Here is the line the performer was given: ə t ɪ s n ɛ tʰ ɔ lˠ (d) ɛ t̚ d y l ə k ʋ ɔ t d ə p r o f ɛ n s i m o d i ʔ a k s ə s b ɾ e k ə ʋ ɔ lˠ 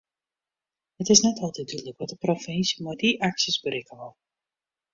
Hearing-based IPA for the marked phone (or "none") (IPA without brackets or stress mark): t